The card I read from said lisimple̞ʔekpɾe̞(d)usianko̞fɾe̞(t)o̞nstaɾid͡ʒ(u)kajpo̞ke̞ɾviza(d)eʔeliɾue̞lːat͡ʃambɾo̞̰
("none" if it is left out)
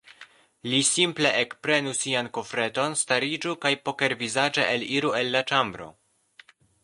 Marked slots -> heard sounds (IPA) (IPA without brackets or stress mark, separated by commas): n, t, u, d͡ʒ